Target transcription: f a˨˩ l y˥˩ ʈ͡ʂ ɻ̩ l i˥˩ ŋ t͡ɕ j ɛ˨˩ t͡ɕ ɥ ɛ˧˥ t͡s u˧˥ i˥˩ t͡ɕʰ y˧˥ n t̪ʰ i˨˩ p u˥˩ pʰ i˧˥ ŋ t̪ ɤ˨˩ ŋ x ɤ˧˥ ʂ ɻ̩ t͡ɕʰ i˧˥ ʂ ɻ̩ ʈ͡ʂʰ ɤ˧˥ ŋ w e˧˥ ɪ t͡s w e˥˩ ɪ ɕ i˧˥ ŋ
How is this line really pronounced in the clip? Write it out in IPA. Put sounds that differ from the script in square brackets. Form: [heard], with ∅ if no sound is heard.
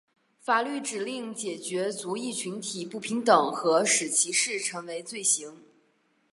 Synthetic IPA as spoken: f a˨˩ l y˥˩ ʈ͡ʂ ɻ̩ l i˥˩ ŋ t͡ɕ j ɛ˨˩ t͡ɕ ɥ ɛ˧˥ t͡s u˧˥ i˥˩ t͡ɕʰ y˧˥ n t̪ʰ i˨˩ p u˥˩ pʰ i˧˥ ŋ t̪ ɤ˨˩ ŋ x ɤ˧˥ ʂ ɻ̩ t͡ɕʰ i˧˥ ʂ ɻ̩ ʈ͡ʂʰ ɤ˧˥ ŋ w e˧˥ ɪ t͡s w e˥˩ ɪ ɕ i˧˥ ŋ